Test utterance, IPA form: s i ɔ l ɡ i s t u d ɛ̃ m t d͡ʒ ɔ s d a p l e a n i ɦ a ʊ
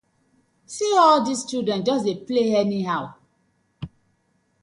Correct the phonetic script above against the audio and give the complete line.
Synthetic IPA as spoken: s i ɔ l d i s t u d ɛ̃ n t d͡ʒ ɔ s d e p l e ɛ n i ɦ a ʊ